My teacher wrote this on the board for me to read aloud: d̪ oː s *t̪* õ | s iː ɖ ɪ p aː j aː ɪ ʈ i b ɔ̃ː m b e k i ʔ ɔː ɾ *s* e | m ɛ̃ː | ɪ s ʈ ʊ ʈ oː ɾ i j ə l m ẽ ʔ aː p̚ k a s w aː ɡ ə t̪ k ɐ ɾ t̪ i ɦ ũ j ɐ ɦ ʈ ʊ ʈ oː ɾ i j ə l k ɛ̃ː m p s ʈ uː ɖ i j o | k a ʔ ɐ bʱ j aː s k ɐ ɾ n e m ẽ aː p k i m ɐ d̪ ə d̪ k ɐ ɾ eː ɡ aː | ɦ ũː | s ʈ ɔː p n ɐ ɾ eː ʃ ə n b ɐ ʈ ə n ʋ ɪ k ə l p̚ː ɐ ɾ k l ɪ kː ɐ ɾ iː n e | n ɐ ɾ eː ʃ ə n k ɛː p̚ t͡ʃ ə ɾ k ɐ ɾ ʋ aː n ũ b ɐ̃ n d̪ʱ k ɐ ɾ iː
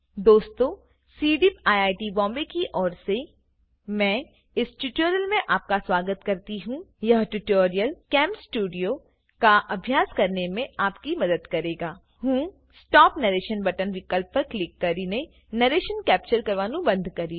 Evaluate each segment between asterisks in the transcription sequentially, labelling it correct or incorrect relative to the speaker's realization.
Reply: correct, correct

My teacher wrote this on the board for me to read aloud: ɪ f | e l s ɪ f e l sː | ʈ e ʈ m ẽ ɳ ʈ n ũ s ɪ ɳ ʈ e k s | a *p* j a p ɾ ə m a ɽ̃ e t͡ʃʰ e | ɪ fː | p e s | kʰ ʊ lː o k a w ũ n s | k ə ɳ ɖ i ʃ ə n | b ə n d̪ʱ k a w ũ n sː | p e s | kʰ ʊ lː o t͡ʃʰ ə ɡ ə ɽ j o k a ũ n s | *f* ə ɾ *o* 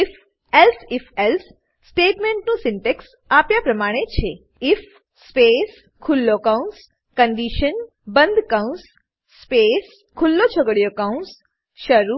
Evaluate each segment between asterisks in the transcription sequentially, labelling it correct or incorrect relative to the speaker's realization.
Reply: correct, incorrect, incorrect

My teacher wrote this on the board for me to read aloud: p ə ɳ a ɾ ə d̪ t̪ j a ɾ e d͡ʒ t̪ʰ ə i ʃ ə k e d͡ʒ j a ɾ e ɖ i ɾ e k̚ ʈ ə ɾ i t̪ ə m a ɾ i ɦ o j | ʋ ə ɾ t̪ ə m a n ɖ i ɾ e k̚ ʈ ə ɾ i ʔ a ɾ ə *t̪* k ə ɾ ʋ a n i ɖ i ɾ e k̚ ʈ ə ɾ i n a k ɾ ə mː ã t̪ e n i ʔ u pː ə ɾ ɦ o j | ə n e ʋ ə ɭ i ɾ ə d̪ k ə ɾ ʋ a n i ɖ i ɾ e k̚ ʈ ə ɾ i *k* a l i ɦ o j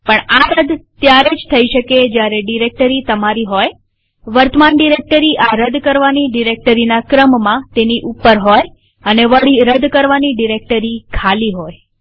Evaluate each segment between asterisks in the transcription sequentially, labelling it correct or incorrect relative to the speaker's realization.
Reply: incorrect, incorrect

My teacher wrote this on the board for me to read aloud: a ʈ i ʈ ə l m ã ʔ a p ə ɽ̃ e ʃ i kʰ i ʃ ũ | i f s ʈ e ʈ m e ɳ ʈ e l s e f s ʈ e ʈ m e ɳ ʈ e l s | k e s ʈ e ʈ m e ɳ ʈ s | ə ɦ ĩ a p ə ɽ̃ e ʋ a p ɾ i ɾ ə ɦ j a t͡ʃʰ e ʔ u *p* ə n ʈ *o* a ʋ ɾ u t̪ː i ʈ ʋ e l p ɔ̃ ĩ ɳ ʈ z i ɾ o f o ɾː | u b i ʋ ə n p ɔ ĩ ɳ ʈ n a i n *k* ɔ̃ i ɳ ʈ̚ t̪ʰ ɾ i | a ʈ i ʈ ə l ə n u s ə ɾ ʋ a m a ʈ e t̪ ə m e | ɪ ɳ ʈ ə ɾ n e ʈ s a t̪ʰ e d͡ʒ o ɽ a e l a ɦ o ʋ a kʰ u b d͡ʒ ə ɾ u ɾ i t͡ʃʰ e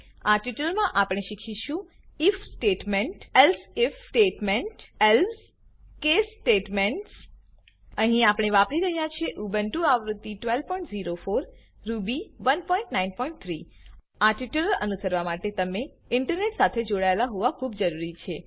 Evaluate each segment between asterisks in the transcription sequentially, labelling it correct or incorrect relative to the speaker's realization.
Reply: incorrect, incorrect, incorrect

